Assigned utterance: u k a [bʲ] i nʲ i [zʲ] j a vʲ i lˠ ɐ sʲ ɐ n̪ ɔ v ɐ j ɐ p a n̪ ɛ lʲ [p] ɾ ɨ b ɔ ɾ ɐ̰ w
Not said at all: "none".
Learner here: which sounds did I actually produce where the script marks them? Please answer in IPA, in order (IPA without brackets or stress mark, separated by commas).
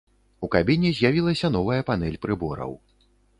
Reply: bʲ, zʲ, p